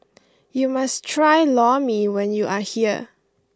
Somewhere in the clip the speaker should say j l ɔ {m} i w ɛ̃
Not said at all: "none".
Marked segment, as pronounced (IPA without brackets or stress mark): m